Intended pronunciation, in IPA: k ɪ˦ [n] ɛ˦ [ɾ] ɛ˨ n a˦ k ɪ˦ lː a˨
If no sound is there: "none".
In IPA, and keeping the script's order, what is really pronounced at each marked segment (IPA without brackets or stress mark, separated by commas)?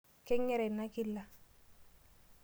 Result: ŋ, ɾ